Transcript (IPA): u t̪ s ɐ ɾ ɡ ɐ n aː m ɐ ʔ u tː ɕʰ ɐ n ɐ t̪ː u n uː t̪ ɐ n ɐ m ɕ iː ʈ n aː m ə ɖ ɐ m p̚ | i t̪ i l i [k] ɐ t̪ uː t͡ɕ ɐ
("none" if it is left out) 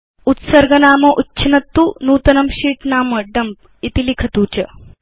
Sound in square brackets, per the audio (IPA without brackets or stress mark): kʰ